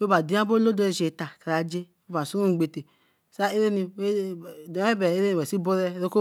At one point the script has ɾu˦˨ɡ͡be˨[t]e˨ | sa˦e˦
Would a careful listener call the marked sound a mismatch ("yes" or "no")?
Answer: no